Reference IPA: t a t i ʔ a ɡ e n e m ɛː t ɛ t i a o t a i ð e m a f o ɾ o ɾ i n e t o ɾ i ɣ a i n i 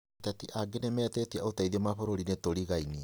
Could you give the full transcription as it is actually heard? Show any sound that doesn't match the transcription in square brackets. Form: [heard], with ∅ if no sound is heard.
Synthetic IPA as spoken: t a t i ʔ a ɡ e n e m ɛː t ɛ t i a o t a i ð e m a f o ɾ o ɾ i n e t o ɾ i ɣ a i n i